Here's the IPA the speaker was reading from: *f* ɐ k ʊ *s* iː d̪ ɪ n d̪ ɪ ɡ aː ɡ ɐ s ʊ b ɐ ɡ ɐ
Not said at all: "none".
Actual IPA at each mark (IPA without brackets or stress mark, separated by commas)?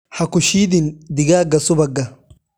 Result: h, ʃ